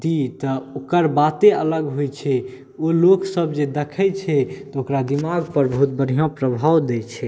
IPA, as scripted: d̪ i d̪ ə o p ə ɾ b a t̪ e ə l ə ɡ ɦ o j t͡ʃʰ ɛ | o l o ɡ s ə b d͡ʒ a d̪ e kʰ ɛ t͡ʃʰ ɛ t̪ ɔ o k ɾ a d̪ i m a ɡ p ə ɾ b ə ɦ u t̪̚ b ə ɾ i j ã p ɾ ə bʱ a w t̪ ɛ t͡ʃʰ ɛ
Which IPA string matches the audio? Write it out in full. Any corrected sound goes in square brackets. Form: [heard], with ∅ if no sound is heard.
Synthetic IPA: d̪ i [t̪] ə o [k] ə ɾ b a t̪ e ə l ə ɡ ɦ o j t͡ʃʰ ɛ | o l o [k] s ə b d͡ʒ [e] d̪ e kʰ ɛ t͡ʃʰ ɛ t̪ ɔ o k ɾ a d̪ i m a ɡ p ə ɾ b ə ɦ u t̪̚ b ə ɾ i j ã p ɾ ə bʱ a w [d̪] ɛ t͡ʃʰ ɛ